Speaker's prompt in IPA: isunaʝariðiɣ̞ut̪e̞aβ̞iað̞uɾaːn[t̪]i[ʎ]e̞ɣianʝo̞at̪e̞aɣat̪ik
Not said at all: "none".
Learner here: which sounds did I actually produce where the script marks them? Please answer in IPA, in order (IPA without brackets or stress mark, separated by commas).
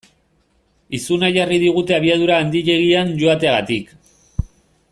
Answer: d̪, ʎ